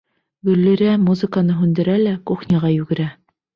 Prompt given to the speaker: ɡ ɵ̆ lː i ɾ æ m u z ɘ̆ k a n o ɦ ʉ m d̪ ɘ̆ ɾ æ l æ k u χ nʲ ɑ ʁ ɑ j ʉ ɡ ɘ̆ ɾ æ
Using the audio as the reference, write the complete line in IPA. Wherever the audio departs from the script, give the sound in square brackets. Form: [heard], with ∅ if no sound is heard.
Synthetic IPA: ɡ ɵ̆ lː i ɾ æ m u z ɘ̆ k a n [ɤ] ɦ ʉ [n] d̪ ɘ̆ ɾ æ l æ k u χ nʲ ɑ ʁ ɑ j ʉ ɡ ɘ̆ ɾ æ